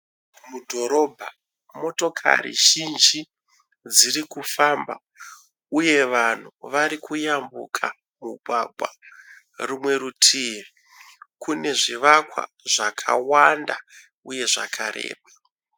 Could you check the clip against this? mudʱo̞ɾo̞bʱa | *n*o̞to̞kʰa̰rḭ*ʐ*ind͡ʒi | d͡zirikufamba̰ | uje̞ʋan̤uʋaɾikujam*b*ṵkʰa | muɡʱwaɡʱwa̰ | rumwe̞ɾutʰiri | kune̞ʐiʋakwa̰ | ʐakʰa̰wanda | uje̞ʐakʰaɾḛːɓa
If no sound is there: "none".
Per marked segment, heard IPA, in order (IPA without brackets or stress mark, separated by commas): m, ʒ, b